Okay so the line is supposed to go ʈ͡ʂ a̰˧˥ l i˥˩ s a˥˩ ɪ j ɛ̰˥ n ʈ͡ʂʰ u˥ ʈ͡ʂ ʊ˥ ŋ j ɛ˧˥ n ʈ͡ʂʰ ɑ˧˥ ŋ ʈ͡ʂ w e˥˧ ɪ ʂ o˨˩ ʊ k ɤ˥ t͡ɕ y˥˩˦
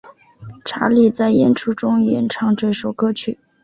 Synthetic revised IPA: ʈ͡ʂʰ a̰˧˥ l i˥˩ t͡s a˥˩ ɪ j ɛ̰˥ n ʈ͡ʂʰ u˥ ʈ͡ʂ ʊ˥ ŋ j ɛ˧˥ n ʈ͡ʂʰ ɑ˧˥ ŋ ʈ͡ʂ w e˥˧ ɪ ʂ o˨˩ ʊ k ɤ˥ t͡ɕʰ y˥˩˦